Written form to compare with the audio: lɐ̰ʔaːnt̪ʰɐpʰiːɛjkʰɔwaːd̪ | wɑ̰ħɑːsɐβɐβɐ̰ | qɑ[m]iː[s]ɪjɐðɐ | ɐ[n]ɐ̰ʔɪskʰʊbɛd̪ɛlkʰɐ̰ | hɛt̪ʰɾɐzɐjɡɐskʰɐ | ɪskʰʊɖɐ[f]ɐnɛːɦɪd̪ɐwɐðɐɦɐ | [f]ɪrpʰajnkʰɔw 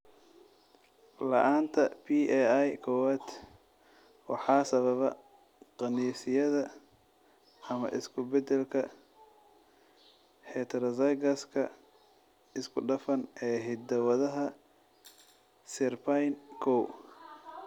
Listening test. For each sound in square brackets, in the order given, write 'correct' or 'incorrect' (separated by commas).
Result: incorrect, correct, incorrect, correct, incorrect